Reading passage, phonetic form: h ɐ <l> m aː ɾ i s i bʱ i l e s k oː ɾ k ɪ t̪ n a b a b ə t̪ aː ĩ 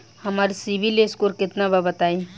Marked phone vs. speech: incorrect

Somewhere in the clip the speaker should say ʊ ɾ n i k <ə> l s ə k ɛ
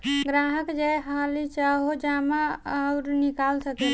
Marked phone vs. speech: incorrect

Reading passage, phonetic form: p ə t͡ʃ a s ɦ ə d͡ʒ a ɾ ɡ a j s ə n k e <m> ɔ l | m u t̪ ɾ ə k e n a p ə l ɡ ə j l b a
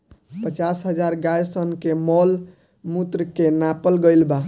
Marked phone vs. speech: correct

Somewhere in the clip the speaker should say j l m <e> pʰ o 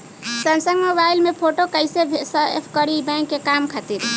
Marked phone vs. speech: correct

